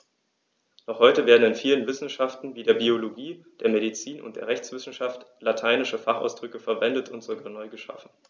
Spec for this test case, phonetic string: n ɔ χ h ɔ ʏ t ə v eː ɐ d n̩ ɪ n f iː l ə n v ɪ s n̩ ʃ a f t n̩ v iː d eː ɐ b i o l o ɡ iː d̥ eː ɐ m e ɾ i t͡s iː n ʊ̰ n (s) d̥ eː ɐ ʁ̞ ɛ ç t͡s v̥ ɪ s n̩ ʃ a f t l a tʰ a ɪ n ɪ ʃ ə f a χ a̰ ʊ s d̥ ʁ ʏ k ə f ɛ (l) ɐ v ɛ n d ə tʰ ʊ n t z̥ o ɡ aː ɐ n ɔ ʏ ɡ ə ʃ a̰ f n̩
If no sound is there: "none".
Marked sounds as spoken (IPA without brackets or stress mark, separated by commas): t, none